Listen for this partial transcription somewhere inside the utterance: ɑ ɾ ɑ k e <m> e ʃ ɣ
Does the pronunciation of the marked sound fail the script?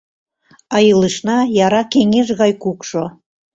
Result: yes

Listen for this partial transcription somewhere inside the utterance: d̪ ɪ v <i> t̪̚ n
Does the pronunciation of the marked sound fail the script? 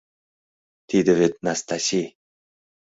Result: yes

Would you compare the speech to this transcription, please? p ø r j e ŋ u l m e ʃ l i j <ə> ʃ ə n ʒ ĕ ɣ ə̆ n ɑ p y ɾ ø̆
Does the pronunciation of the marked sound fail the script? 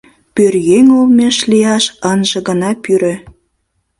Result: yes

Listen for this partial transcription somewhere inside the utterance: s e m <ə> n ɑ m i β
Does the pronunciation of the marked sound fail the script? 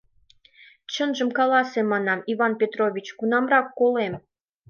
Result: yes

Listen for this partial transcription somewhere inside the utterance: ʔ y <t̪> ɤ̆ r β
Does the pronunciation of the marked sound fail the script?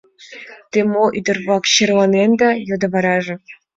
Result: yes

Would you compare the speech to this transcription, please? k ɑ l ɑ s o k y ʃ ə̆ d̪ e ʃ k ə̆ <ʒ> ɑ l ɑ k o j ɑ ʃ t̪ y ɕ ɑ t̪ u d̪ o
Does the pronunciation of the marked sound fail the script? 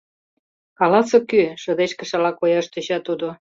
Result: yes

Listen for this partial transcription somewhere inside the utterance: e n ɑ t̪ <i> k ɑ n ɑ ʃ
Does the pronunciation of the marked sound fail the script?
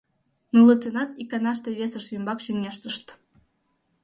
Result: no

